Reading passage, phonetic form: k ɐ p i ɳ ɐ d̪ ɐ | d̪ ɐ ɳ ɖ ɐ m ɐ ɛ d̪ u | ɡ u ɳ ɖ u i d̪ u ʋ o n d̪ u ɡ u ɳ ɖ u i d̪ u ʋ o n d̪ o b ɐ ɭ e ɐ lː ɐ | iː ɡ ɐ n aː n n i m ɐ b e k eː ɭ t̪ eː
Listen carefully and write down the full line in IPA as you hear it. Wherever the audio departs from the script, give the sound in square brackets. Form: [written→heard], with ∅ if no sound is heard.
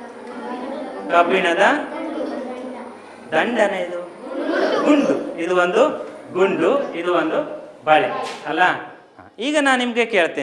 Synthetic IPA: k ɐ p i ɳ ɐ d̪ ɐ | d̪ ɐ ɳ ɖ ɐ [m→n] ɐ [ɛ→i] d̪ u | ɡ u ɳ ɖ u i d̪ u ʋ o n d̪ u ɡ u ɳ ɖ u i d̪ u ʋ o n d̪ [o→u] b ɐ ɭ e ɐ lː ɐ | iː ɡ ɐ n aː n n i m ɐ [b→ɡ] e k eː ɭ t̪ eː